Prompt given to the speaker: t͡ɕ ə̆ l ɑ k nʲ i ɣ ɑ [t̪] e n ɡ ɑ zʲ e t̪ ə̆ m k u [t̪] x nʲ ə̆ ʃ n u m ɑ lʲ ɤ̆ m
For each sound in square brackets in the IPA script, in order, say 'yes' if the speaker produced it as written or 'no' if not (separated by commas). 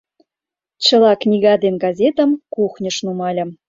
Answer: no, no